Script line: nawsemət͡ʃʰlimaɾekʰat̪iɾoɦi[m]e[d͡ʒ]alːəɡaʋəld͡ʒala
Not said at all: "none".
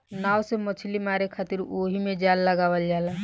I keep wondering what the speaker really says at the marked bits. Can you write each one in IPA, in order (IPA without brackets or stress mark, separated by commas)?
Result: m, d͡ʒ